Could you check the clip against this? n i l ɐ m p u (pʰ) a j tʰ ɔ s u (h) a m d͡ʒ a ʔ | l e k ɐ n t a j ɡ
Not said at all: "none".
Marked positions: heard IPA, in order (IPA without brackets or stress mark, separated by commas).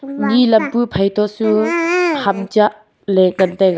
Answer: pʰ, h